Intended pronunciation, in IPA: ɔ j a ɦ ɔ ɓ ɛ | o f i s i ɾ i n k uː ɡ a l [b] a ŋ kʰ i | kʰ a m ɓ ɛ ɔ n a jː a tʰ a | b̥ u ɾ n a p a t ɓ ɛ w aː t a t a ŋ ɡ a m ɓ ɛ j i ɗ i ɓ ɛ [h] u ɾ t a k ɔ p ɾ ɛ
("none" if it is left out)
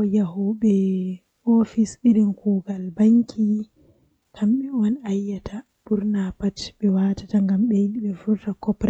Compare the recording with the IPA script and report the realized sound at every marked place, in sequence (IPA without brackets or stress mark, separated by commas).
b, f